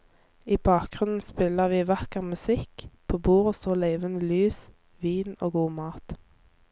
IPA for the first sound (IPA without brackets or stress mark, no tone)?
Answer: iː